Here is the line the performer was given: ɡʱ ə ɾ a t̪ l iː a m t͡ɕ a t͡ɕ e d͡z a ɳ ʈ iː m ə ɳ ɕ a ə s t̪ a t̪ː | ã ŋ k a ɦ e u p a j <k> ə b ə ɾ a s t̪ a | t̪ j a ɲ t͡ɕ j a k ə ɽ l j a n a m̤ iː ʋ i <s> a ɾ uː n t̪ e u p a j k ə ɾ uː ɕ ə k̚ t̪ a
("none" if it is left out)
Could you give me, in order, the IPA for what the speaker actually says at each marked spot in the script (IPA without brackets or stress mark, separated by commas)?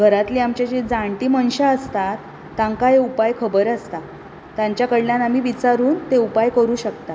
kʰ, t͡s